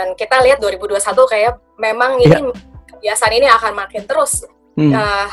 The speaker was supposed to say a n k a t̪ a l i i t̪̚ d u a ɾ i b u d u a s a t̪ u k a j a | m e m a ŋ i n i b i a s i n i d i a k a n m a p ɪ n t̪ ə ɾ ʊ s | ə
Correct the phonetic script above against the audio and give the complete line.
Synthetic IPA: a n k i t̪ a l i a t̪̚ d u a ɾ i b u d u a s a t̪ u k a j a | m e m a ŋ i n i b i a s a n i n i a k a n m a k ɪ n t̪ ə ɾ ʊ s | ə